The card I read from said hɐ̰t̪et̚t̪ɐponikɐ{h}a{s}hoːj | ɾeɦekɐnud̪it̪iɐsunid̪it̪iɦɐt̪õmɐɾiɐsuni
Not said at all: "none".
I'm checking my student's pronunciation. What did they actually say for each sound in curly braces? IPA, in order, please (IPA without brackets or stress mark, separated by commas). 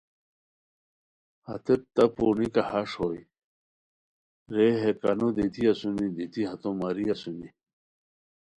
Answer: h, ʂ